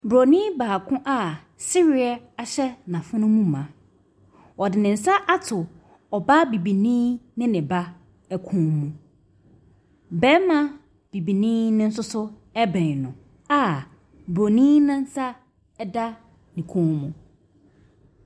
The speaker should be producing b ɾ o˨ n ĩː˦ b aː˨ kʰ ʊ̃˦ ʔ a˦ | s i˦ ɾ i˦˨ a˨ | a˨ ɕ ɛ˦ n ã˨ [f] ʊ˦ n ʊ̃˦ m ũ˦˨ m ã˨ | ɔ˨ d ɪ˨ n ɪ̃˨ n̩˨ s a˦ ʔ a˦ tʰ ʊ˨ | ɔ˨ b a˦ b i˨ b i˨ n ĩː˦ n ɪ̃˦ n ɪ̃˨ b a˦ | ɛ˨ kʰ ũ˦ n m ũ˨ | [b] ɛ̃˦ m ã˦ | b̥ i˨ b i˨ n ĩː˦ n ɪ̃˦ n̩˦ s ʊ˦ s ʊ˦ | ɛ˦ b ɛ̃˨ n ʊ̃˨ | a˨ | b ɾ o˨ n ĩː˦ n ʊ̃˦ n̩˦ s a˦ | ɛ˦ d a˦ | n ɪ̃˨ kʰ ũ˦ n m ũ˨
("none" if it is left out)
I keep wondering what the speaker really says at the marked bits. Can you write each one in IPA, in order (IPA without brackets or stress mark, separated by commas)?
f, b